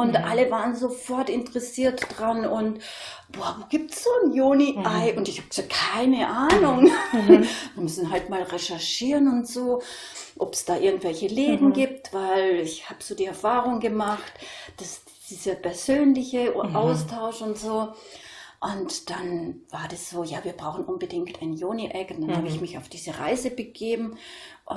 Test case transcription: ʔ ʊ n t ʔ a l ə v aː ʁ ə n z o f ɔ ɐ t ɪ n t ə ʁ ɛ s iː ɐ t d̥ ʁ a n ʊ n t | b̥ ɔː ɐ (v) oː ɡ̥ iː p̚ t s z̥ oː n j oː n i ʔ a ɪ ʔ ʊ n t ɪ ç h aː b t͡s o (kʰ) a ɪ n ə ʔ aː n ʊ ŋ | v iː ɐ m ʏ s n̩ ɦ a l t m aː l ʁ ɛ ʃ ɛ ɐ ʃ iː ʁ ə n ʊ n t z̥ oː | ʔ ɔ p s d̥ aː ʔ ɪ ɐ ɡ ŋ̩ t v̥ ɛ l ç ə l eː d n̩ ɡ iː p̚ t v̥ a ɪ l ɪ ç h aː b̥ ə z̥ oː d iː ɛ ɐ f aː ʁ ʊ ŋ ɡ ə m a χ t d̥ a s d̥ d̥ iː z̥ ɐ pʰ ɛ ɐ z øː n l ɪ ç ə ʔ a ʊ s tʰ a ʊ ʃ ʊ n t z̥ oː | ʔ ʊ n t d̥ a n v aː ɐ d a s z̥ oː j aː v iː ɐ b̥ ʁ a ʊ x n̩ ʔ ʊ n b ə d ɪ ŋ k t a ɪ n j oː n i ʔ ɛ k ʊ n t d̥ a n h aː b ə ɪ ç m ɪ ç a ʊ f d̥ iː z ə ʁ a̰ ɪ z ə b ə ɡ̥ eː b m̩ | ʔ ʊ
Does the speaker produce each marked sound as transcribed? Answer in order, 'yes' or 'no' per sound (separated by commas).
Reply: yes, yes